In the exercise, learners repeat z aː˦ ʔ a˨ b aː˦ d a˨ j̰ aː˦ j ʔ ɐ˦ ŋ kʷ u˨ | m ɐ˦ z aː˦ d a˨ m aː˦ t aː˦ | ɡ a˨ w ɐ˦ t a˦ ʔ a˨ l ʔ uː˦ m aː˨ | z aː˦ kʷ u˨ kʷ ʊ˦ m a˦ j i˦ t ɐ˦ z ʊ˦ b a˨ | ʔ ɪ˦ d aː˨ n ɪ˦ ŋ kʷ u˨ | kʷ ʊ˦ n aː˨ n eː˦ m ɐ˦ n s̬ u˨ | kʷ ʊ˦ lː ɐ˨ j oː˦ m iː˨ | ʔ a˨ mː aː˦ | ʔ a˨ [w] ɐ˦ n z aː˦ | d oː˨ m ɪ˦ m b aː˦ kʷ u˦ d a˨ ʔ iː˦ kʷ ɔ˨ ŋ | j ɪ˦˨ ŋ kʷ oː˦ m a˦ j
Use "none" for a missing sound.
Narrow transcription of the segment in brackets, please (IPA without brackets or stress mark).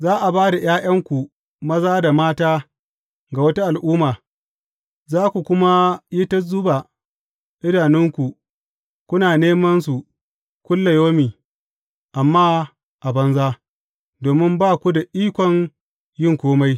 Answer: b